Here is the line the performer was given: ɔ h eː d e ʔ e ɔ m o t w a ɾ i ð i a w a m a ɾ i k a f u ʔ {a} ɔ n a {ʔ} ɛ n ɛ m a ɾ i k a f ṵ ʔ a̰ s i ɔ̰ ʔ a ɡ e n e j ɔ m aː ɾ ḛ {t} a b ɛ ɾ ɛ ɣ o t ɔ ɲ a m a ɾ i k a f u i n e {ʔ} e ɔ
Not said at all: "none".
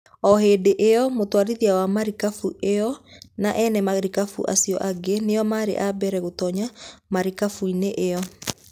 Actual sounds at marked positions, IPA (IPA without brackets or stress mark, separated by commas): e, ʔ, ʔ, ʔ